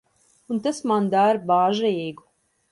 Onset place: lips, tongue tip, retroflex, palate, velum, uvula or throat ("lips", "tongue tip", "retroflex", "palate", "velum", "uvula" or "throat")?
tongue tip